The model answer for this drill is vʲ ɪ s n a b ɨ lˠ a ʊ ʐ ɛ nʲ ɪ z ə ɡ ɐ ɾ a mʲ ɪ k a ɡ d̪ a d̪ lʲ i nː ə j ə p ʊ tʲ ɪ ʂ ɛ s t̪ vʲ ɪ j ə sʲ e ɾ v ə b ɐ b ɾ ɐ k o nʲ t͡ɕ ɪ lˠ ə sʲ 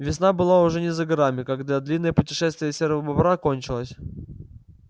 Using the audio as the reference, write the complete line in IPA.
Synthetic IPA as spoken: vʲ ɪ s n a b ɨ lˠ a ʊ ʐ ɛ nʲ ɪ z ə ɡ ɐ ɾ a mʲ ɪ k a ɡ d̪ a d̪ lʲ i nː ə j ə p ʊ tʲ ɪ ʂ ɛ s t̪ vʲ ɪ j ə sʲ e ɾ v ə b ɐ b ɾ a k o nʲ t͡ɕ ɪ lˠ ə sʲ